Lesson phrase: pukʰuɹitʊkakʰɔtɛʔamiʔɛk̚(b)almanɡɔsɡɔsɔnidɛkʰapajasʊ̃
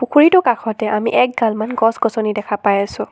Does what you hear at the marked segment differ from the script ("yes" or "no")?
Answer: yes